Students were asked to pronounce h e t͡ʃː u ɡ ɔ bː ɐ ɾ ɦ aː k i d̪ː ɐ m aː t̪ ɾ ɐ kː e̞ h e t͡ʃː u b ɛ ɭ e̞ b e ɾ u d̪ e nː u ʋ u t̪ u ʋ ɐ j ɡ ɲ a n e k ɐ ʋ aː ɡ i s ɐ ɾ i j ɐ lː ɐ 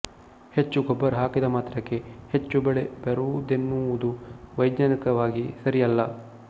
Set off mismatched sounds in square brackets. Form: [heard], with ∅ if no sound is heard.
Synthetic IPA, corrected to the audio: h e t͡ʃː u ɡ ɔ bː ɐ ɾ ɦ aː k i [d̪] ɐ m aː t̪ ɾ ɐ kː e̞ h e t͡ʃː u b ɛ ɭ e̞ b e ɾ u d̪ e nː u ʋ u [d̪] u ʋ ɐ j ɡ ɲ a n [i] k ɐ ʋ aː ɡ i s ɐ ɾ i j ɐ lː ɐ